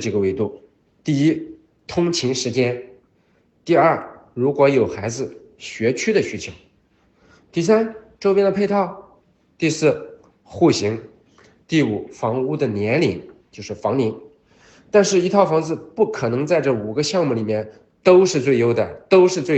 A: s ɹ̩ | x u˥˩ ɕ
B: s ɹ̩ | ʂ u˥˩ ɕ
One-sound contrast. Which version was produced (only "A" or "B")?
A